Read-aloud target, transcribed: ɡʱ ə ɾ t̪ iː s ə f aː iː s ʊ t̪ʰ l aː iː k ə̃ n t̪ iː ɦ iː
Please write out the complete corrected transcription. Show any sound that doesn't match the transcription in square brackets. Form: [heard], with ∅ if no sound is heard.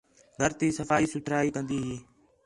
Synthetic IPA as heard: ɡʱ ə ɾ t̪ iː s ə f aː iː s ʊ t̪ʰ [ɾ] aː iː k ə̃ n [d̪] iː ɦ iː